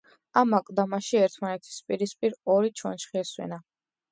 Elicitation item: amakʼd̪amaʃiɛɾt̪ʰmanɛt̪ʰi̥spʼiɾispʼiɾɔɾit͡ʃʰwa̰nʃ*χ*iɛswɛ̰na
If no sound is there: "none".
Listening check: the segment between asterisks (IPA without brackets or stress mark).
χ